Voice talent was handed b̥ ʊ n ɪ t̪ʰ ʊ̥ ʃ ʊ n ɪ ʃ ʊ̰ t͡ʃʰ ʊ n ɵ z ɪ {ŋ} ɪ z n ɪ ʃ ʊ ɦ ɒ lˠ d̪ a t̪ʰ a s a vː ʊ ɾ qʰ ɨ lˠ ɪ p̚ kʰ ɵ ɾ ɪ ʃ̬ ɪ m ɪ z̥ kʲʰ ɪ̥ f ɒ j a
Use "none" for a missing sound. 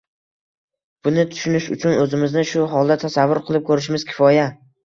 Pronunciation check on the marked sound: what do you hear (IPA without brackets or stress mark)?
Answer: m